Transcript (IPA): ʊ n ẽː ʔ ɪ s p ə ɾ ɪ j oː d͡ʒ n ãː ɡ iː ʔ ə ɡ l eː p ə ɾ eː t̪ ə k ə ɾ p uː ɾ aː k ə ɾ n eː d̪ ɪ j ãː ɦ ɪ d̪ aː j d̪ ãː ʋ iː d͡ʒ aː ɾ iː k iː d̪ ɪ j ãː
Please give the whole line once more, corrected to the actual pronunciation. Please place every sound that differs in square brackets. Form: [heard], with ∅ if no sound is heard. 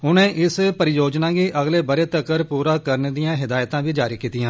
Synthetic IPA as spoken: ʊ n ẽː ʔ ɪ s p ə ɾ ɪ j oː d͡ʒ n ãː ɡ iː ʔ ə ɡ l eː [b] ə ɾ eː t̪ ə k ə ɾ p uː ɾ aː k ə ɾ n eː d̪ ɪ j ãː ɦ ɪ d̪ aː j [t̪] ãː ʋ iː d͡ʒ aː ɾ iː k iː [t̪] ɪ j ãː